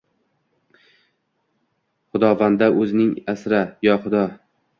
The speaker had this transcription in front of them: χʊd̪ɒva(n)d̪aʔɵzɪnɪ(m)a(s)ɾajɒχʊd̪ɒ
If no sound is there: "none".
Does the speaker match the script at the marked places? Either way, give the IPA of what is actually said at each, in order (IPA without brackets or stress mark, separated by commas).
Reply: n, ŋ, s